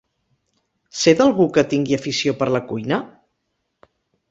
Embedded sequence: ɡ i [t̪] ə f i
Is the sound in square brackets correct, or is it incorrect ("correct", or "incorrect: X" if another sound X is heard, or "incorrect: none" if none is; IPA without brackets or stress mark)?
incorrect: none